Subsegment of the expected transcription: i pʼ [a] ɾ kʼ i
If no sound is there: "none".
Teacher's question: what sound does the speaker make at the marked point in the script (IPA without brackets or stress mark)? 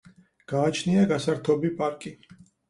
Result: a